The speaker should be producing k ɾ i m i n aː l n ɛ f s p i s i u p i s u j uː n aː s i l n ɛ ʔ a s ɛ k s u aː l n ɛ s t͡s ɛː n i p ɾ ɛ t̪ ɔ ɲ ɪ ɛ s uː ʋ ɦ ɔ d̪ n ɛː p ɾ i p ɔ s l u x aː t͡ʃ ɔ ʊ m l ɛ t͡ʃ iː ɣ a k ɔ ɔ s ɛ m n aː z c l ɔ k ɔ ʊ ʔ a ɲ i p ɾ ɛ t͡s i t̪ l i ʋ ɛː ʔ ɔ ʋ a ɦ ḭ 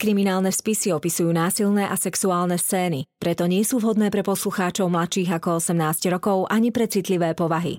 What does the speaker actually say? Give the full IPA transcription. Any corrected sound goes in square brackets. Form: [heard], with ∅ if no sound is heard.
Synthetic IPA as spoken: k ɾ i m i n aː l n ɛ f s p i s i [ɔ] p i s u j uː n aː s i l n ɛ ʔ a s ɛ k s u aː l n ɛ s t͡s ɛː n i p ɾ ɛ t̪ ɔ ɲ ɪ ɛ s uː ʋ ɦ ɔ d̪ n ɛː p ɾ [ɛ] p ɔ s l u x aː t͡ʃ ɔ ʊ m l [a] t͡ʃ iː ɣ a k ɔ ɔ s ɛ m n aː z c [ɾ] ɔ k ɔ ʊ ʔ a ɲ i p ɾ ɛ t͡s i t̪ l i ʋ ɛː [p] ɔ ʋ a ɦ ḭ